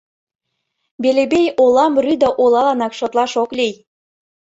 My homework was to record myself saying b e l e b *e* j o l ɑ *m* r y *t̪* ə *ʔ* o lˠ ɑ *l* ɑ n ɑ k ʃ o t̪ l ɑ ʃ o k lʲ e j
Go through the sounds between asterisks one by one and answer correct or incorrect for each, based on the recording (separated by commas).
correct, correct, incorrect, correct, correct